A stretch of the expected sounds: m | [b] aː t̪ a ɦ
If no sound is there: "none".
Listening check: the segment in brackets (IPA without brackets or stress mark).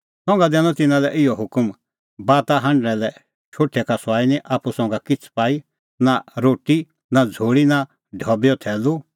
b